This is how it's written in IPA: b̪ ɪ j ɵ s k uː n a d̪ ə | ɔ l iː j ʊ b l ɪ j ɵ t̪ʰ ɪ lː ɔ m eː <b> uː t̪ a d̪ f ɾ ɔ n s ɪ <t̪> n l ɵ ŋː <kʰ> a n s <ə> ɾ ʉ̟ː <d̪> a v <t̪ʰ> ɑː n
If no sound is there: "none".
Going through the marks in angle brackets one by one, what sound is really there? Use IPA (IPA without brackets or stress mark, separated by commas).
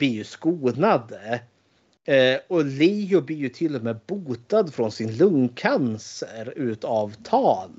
b, none, kʰ, ə, t̪, t̪ʰ